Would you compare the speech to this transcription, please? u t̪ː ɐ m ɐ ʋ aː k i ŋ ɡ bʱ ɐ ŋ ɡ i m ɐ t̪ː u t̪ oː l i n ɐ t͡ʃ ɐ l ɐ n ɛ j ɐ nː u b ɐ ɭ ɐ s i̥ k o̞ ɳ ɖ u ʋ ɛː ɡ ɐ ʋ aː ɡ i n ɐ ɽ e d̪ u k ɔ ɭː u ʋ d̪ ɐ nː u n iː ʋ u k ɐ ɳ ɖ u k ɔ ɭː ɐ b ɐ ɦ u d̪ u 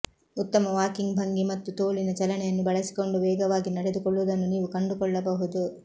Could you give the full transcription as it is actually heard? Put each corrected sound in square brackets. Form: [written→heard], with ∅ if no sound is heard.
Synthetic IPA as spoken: u t̪ː ɐ m ɐ ʋ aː k i ŋ ɡ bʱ ɐ ŋ ɡ i m ɐ t̪ː u t̪ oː l i n ɐ t͡ʃ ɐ l ɐ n ɛ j ɐ nː u b ɐ ɭ ɐ s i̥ k o̞ ɳ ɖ u ʋ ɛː ɡ ɐ ʋ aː ɡ i n ɐ ɽ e d̪ u k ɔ ɭː u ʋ d̪ ɐ nː u n iː ʋ u k ɐ ɳ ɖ u k ɔ ɭː ɐ b ɐ ɦ u d̪ u